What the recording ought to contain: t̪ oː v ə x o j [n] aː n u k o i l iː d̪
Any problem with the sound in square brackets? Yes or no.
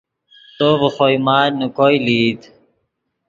yes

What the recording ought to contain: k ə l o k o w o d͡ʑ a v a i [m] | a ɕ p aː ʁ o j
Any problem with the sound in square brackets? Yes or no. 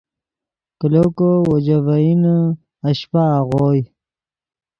yes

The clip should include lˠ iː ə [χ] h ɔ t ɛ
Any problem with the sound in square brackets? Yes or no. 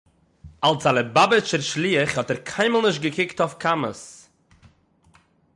no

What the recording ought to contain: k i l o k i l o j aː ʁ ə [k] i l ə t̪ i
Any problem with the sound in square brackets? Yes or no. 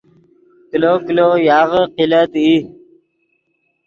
yes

